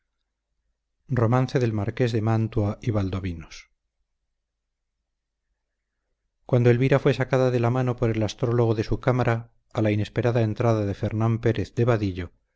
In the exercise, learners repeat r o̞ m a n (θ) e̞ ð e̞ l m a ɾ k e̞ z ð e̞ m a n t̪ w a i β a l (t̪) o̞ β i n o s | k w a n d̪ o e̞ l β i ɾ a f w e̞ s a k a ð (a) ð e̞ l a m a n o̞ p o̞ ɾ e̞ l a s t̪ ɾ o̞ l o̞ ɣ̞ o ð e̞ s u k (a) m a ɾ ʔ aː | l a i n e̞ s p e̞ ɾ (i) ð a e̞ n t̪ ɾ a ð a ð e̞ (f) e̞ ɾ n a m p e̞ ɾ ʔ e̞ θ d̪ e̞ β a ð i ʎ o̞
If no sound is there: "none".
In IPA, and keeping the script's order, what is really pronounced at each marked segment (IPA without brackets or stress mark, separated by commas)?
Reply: θ, d̪, a, a, a, f